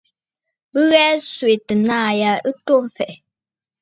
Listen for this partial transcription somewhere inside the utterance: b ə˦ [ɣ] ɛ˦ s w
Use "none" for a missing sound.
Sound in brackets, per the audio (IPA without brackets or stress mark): ɣ